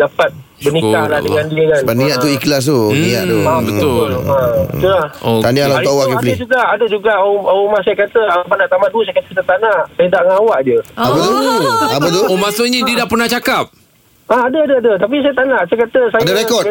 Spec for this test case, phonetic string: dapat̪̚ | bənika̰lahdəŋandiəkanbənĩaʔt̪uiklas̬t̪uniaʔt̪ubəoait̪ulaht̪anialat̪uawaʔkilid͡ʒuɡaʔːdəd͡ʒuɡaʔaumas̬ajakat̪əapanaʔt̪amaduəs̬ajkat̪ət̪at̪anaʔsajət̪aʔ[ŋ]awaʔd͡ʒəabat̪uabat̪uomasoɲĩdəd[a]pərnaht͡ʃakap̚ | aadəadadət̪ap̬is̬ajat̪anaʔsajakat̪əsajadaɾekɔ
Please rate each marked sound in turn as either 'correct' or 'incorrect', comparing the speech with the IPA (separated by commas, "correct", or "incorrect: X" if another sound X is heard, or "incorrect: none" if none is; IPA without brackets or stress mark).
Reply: correct, correct